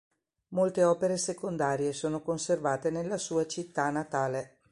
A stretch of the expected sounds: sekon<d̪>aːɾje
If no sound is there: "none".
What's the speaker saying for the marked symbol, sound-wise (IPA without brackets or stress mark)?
d̪